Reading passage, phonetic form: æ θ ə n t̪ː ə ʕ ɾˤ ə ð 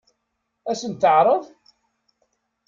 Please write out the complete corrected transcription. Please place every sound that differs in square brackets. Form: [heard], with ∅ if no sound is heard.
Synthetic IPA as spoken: æ [s] ə n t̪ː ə ʕ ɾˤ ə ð